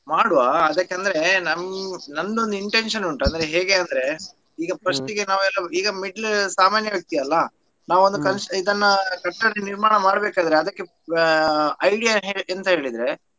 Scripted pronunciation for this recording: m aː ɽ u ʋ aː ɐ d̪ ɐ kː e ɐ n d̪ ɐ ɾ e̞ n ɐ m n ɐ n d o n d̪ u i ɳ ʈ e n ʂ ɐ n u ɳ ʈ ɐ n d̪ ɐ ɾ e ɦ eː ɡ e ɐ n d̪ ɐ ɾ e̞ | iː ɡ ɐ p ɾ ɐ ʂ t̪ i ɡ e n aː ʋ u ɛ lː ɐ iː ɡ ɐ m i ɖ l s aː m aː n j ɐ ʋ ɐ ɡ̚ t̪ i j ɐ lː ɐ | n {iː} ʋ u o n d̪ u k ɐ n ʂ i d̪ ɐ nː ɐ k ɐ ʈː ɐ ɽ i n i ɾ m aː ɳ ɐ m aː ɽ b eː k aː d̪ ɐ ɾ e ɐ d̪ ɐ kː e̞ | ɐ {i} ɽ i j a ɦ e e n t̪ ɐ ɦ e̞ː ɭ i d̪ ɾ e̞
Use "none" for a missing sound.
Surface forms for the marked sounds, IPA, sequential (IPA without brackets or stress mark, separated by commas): aː, j